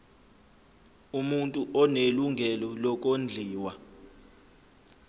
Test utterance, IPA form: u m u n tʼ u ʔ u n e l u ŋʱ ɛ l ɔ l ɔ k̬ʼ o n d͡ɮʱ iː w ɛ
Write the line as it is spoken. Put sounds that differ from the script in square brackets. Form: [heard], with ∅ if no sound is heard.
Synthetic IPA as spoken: u m u n tʼ u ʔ [ɔ] n e l u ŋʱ ɛ l ɔ l ɔ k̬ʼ o n d͡ɮʱ iː w [a]